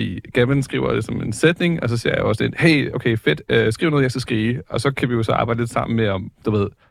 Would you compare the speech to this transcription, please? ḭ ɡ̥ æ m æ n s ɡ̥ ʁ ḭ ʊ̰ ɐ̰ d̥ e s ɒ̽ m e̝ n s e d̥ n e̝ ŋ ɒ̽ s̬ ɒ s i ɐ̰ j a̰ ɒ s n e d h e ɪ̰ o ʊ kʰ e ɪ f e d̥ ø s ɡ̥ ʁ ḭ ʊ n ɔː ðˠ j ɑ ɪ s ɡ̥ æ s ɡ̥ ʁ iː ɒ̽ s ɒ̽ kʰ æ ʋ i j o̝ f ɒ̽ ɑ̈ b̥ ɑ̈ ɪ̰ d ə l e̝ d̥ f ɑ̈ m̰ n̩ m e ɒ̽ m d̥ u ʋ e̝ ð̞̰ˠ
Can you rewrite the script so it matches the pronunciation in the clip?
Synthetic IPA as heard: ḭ ɡ̥ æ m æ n s ɡ̥ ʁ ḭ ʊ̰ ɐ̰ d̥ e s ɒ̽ m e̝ n s e d̥ n e̝ ŋ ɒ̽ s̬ ɒ s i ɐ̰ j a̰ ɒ s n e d h e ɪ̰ o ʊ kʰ e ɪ f e d̥ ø s ɡ̥ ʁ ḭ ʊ n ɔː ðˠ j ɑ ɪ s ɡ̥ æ s ɡ̥ ʁ iː ɒ̽ s ɒ̽ kʰ æ ʋ i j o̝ s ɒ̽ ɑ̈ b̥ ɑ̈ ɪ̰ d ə l e̝ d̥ s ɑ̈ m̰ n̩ m e ɒ̽ m d̥ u ʋ e̝ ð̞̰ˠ